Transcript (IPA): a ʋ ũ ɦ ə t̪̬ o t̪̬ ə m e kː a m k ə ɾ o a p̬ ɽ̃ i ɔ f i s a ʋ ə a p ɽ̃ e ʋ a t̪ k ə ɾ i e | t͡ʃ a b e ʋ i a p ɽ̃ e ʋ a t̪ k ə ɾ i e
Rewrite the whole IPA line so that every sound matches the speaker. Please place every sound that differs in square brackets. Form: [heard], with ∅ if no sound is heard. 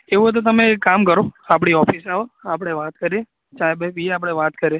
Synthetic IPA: [e] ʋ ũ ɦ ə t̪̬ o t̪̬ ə m e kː a m k ə ɾ o a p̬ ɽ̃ i ɔ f i s a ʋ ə a p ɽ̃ e ʋ a t̪ k ə ɾ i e | t͡ʃ a b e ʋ i a p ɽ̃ e ʋ a t̪ k ə ɾ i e